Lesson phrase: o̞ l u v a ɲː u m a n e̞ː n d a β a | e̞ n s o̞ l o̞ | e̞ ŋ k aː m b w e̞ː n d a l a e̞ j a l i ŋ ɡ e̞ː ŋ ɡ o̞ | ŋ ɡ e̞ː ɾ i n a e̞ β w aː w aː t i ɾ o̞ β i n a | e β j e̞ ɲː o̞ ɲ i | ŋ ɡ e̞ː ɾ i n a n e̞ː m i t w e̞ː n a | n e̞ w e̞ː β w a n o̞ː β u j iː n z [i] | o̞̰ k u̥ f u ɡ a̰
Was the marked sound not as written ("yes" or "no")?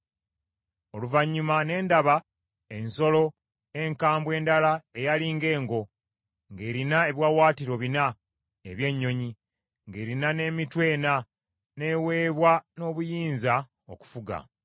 yes